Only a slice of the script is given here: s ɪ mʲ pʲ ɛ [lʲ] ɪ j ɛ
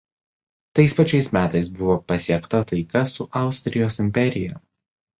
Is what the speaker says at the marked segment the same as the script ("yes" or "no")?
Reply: no